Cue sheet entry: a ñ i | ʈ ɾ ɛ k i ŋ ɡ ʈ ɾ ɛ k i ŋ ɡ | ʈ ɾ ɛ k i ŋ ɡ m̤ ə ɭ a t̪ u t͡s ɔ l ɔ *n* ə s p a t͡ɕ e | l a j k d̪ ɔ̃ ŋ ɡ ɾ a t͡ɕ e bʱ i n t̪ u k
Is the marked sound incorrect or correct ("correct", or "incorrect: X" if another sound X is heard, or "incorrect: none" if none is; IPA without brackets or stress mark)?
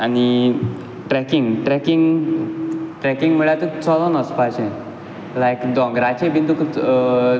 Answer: correct